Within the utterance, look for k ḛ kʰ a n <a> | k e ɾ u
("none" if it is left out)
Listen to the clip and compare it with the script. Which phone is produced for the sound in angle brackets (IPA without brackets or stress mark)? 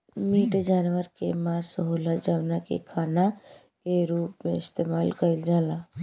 a